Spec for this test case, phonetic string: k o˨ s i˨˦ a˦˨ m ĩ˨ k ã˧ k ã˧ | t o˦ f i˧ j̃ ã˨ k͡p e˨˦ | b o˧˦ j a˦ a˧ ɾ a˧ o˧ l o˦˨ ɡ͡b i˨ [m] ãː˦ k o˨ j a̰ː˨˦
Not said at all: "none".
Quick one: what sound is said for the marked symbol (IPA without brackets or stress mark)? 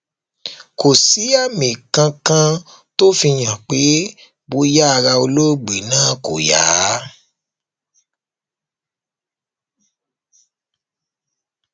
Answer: n